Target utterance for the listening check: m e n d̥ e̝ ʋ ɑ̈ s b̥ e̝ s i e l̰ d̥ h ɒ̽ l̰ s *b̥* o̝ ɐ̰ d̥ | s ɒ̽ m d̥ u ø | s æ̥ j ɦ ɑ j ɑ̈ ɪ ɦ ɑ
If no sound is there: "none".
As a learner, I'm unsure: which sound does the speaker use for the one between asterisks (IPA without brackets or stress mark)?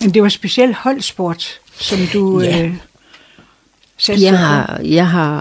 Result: b̥